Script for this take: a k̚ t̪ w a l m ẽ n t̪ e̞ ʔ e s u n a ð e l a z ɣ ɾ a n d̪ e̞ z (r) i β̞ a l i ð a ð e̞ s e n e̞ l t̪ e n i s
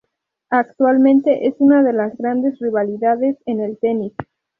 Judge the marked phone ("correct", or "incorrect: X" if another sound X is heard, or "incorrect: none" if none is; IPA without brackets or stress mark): correct